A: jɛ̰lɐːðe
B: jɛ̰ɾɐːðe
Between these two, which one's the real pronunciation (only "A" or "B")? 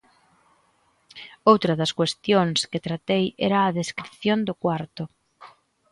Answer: B